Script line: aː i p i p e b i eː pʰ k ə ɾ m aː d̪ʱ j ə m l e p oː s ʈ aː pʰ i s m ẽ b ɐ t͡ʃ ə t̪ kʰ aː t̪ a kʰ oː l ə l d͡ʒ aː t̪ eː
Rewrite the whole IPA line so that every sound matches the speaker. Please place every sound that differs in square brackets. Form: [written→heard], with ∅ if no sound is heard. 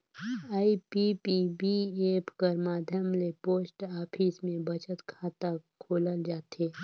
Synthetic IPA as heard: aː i p i p [e→i] b i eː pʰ k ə ɾ m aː d̪ʱ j ə m l e p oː s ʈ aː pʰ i s m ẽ b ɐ t͡ʃ ə t̪ kʰ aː t̪ a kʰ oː l ə l d͡ʒ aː t̪ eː